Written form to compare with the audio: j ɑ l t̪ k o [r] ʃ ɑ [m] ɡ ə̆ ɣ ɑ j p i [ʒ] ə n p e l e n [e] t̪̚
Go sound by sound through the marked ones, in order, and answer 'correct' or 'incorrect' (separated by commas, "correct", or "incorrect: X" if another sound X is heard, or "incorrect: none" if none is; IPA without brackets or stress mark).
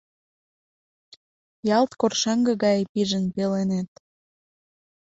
correct, incorrect: ŋ, correct, correct